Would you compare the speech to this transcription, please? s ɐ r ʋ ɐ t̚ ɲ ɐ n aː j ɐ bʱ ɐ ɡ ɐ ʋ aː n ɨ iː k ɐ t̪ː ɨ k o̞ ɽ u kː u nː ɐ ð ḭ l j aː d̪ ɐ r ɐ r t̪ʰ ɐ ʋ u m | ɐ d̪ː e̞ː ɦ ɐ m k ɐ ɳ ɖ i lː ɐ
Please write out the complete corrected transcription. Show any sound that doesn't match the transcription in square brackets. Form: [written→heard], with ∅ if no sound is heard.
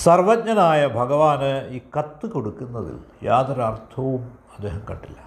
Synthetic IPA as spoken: s ɐ r ʋ ɐ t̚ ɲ ɐ n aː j ɐ bʱ ɐ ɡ ɐ ʋ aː n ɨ iː k ɐ t̪ː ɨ k o̞ ɽ u kː u nː ɐ ð ḭ l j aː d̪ ɐ [r→ɾ] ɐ r t̪ʰ ɐ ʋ u m | ɐ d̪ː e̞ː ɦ ɐ m k ɐ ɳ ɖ i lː ɐ